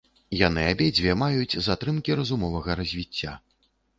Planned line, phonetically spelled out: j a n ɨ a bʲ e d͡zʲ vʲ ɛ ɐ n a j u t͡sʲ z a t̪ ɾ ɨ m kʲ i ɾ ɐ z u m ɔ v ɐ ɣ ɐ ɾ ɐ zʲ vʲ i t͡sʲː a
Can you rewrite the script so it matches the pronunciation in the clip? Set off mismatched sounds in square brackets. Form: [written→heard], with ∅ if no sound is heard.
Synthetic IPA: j a n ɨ a bʲ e d͡zʲ vʲ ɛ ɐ [n→m] a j u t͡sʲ z a t̪ ɾ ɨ m kʲ i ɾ ɐ z u m ɔ v ɐ ɣ ɐ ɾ ɐ zʲ vʲ i t͡sʲː a